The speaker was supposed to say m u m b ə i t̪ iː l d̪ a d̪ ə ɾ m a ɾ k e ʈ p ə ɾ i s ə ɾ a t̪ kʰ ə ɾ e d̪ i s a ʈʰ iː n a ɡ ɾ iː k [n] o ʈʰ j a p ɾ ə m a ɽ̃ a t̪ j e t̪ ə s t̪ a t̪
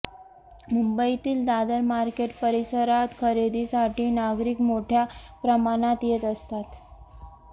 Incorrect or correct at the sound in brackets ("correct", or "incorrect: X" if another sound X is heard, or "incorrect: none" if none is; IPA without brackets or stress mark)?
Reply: incorrect: m